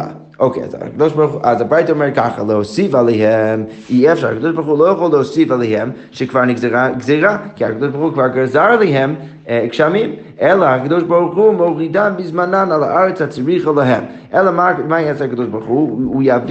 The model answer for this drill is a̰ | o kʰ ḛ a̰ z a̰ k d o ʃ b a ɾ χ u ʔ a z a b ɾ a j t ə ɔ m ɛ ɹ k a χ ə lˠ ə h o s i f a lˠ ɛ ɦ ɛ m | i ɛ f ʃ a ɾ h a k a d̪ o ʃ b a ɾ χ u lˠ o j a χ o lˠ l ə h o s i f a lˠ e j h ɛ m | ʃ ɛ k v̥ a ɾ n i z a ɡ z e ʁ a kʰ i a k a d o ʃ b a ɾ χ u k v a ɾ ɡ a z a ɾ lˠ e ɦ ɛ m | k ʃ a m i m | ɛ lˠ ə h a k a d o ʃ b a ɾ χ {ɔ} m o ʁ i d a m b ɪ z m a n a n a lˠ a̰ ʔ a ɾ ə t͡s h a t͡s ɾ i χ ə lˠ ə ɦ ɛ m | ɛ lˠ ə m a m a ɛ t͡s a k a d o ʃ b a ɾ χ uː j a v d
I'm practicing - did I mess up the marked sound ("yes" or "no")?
yes